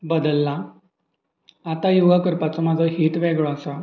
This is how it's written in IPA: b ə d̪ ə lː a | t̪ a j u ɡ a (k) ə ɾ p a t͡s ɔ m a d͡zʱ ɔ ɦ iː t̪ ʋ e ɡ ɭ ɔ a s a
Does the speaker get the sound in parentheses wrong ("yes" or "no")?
no